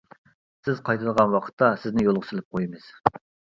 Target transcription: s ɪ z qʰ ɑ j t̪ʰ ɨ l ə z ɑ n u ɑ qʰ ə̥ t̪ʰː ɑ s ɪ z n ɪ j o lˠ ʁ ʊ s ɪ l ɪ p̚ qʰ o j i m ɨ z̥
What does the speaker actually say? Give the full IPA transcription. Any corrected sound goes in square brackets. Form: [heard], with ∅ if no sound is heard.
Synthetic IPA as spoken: s ɪ z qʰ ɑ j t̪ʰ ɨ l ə [ʁ] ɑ n [w] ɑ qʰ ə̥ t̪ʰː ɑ s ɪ z n ɪ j o lˠ ʁ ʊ s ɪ l ɪ p̚ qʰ o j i m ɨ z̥

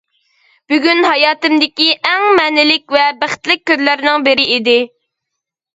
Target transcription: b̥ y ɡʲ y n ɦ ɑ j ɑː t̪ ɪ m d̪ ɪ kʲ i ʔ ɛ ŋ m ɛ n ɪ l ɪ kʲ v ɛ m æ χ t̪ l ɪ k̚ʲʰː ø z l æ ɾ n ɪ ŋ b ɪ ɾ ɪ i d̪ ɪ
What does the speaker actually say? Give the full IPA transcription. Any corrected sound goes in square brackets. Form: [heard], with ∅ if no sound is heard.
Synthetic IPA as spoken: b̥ y ɡʲ y n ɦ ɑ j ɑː t̪ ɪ m d̪ ɪ kʲ i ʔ ɛ ŋ m ɛ n ɪ l ɪ kʲ v ɛ [b] æ χ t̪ l ɪ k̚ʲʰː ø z l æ ɾ n ɪ ŋ b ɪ ɾ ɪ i d̪ ɪ

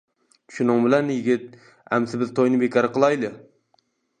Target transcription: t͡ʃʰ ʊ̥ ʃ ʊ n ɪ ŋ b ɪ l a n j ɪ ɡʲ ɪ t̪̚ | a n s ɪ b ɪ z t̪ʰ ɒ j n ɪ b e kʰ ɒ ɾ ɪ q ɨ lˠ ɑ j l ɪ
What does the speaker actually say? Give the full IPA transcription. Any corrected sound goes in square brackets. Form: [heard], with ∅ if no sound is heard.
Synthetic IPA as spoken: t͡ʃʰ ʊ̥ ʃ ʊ n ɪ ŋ b ɪ l a n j ɪ ɡʲ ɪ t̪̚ | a [m] s ɪ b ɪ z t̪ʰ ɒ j n ɪ b e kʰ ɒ ɾ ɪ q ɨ lˠ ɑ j l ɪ

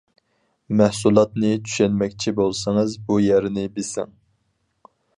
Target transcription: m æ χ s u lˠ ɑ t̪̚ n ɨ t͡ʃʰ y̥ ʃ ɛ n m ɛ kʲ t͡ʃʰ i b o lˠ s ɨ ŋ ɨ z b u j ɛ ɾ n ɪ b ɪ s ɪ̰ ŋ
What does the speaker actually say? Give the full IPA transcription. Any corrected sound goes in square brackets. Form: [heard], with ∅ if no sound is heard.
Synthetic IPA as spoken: m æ [h] s u lˠ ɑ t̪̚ n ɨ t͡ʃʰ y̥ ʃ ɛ n m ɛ kʲ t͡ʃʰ i b o lˠ s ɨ ŋ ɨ z b u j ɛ ɾ n ɪ b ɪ s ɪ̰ ŋ

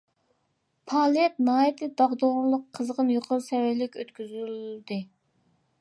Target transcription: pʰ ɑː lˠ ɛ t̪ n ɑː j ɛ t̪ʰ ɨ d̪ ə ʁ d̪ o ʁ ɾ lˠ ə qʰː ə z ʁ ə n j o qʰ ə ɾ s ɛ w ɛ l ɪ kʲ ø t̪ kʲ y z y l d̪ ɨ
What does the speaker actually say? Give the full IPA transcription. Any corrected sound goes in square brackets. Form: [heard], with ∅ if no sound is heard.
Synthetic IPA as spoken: pʰ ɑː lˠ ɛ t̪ n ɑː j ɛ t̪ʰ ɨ d̪ [ɑ] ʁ d̪ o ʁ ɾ lˠ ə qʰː ə z ʁ ə n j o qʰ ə ɾ s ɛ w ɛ l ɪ kʲ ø t̪ kʲ y z y l d̪ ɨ

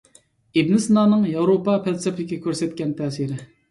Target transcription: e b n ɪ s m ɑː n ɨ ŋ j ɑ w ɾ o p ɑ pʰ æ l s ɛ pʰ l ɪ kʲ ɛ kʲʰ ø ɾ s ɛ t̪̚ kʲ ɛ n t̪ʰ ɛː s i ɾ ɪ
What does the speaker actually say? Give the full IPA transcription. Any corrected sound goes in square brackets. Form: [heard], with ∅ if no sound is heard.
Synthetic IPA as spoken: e b n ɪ s [n] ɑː n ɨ ŋ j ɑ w ɾ o p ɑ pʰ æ l s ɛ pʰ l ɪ kʲ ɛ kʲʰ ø ɾ s ɛ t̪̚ kʲ ɛ n t̪ʰ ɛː s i ɾ ɪ

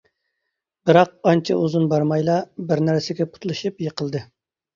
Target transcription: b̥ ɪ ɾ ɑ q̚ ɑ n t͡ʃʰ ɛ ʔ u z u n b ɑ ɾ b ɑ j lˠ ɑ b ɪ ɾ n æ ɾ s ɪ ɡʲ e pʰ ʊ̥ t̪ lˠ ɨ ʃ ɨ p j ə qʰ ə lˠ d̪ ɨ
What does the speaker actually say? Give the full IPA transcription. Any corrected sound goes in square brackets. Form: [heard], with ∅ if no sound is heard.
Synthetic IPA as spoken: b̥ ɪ ɾ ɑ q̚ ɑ n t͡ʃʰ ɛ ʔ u z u n b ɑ ɾ [m] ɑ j lˠ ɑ b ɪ ɾ n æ ɾ s ɪ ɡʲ [ɛ] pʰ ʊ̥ t̪ lˠ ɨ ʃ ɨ p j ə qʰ ə lˠ d̪ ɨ

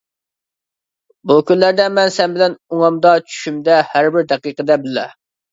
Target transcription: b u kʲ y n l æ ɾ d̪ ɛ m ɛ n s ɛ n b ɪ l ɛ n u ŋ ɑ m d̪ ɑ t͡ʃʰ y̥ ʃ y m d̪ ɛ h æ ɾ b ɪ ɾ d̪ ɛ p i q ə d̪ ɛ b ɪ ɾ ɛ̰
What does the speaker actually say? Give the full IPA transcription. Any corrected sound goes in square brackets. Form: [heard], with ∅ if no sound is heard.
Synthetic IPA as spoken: b u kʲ y n l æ ɾ d̪ ɛ m ɛ n s ɛ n b ɪ l ɛ n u ŋ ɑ m d̪ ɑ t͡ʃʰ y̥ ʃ y m d̪ ɛ h æ ɾ b ɪ ɾ d̪ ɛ [q] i q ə d̪ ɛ b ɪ [l] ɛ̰

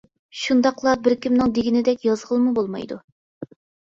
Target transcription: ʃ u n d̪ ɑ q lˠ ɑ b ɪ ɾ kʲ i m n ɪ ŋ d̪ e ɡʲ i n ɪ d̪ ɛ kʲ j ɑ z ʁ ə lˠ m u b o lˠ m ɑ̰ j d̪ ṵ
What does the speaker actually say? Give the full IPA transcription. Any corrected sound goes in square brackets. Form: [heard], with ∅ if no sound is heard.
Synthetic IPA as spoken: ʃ u n d̪ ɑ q lˠ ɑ b ɪ ɾ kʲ i m n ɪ ŋ d̪ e ɡʲ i n ɪ d̪ ɛ kʲ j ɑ z ʁ ə lˠ m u b o lˠ m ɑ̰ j d̪ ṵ

